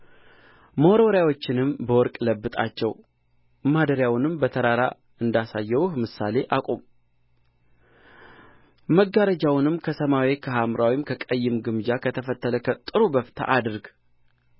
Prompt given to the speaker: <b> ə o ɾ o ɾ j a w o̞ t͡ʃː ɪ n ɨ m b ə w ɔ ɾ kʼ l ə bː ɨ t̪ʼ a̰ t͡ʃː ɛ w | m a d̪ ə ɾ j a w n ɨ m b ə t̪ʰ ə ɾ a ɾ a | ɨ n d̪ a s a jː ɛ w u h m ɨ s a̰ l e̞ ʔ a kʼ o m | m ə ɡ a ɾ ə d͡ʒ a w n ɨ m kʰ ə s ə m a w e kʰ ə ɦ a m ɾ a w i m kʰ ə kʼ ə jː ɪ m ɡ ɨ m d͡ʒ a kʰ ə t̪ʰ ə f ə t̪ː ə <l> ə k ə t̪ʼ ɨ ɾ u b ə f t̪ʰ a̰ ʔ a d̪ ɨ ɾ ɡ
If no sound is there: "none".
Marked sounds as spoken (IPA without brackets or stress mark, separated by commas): m, l